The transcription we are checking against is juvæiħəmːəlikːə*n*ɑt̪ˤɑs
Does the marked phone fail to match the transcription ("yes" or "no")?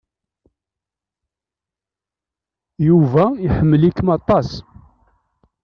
yes